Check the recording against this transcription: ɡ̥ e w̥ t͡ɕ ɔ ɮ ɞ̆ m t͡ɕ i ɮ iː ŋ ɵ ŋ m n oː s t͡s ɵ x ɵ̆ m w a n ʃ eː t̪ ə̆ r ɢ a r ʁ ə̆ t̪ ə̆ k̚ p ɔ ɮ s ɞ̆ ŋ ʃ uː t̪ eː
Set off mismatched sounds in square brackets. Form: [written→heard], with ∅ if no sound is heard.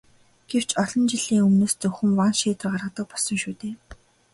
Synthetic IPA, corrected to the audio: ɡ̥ e w̥ t͡ɕ ɔ ɮ ɞ̆ [m→n] t͡ɕ i ɮ iː ŋ ɵ [ŋ→∅] m n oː s t͡s ɵ x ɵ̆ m w a n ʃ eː t̪ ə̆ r ɢ a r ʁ ə̆ t̪ ə̆ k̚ p ɔ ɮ s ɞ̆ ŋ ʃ uː t̪ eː